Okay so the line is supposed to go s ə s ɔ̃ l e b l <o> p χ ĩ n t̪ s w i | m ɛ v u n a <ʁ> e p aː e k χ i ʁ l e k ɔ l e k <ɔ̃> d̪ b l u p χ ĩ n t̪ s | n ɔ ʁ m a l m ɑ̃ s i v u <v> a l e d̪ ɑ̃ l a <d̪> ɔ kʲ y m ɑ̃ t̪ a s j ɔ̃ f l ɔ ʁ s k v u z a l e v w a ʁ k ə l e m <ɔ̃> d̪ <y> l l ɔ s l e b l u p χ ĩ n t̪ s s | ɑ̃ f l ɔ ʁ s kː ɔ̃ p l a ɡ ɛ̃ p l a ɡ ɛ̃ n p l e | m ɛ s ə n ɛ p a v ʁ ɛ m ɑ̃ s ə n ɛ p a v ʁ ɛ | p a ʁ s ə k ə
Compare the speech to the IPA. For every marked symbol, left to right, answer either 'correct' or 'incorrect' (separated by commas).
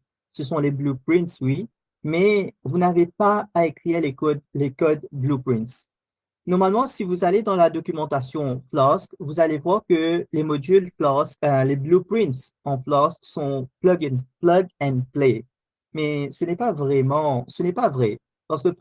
incorrect, incorrect, incorrect, incorrect, correct, incorrect, correct